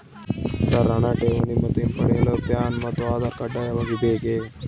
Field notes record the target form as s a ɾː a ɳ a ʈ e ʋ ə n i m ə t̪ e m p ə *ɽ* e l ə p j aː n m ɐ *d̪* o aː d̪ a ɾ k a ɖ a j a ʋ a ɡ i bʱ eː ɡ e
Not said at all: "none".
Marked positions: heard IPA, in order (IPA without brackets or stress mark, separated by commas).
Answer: ɽ, t̪